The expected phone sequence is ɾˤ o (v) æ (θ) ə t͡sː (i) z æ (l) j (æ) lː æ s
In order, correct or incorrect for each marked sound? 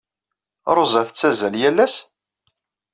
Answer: incorrect: z, correct, incorrect: æ, correct, correct

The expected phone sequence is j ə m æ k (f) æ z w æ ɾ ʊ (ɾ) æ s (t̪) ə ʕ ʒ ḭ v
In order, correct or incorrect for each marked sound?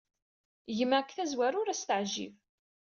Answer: incorrect: θ, correct, correct

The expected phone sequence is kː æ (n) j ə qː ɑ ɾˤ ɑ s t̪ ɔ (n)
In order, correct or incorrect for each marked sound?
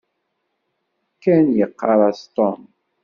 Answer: correct, incorrect: m

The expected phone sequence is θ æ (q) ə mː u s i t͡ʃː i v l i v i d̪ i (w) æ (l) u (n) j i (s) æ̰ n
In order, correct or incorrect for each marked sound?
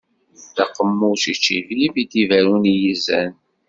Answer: correct, incorrect: v, incorrect: ɾ, correct, incorrect: z

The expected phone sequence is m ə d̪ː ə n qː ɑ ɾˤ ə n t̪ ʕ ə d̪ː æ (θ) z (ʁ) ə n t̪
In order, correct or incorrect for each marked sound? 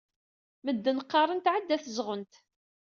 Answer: correct, correct

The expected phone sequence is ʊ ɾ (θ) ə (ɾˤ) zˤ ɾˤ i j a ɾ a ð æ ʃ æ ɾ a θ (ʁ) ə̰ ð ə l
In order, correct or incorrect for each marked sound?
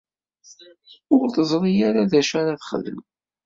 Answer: correct, incorrect: none, incorrect: χ

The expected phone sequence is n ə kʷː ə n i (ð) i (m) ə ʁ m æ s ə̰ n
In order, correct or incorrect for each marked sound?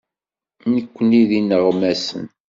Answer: correct, incorrect: n

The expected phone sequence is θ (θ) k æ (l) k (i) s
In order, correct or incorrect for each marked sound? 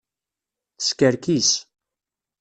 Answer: incorrect: s, incorrect: ɾ, correct

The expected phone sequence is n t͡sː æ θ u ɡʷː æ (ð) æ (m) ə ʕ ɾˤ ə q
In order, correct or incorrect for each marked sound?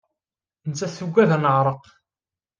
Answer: correct, incorrect: n

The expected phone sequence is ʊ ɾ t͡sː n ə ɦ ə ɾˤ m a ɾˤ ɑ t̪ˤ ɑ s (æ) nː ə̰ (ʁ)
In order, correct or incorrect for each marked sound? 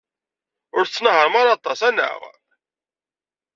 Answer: correct, correct

